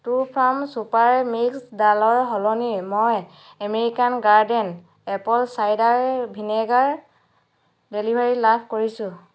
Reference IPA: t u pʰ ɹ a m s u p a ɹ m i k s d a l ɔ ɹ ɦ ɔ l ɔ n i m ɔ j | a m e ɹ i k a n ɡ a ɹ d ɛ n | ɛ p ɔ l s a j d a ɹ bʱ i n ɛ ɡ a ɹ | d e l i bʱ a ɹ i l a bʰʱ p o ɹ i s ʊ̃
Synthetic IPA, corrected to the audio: t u pʰ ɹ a m s u p a ɹ m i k s d a l ɔ ɹ ɦ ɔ l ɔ n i m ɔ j | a m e ɹ i k a n ɡ a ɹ d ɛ n | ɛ p ɔ l s a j d a ɹ bʱ i n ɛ ɡ a ɹ | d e l i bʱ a ɹ i l a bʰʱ k o ɹ i s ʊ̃